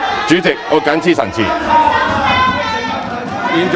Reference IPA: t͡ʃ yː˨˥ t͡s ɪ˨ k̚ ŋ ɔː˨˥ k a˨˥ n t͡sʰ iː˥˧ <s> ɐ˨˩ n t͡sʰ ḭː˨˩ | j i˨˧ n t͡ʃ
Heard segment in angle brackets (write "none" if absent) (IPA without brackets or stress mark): s